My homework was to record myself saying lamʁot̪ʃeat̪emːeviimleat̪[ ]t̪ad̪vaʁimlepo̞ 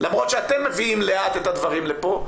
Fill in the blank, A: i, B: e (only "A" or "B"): B